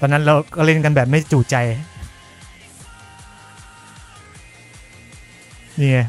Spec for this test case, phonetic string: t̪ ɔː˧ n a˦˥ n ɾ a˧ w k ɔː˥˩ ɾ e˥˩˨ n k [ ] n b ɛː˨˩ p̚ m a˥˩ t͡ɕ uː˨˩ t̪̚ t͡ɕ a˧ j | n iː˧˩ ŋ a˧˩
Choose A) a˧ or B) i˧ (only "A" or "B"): A